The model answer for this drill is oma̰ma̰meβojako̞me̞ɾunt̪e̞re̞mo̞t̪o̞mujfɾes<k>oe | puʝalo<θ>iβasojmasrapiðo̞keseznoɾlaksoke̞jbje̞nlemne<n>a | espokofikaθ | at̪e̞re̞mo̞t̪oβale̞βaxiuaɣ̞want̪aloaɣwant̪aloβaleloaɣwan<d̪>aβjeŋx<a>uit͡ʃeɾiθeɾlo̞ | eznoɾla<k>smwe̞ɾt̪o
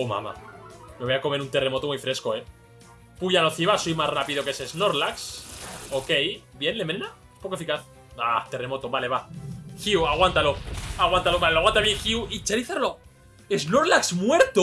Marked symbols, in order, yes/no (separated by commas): yes, yes, yes, no, no, yes